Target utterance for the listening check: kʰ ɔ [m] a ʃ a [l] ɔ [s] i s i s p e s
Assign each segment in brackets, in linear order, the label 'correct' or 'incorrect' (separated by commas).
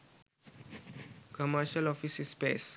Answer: correct, correct, incorrect